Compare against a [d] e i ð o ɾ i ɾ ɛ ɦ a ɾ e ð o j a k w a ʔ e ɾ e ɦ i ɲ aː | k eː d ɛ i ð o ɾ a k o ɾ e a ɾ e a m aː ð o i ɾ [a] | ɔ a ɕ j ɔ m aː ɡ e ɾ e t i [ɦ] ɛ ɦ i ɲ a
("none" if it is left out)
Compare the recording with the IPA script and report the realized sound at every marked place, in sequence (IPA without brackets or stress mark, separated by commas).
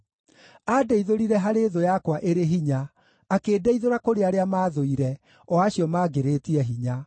d, ɛ, none